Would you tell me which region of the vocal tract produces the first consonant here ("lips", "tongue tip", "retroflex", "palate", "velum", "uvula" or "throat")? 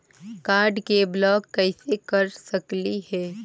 velum